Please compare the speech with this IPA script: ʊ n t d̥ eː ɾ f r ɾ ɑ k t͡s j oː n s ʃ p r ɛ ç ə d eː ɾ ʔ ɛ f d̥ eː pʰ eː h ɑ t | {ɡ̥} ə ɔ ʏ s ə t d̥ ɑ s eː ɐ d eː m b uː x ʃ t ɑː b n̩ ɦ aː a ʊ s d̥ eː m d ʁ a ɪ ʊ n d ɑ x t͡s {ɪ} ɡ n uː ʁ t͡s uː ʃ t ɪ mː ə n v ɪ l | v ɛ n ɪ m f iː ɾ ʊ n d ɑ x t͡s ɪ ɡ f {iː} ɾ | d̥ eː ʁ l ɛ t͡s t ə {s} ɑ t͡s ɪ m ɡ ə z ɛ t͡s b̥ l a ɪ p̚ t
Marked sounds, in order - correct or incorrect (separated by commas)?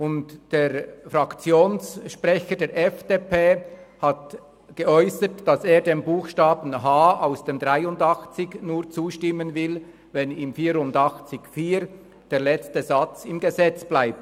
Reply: correct, correct, correct, incorrect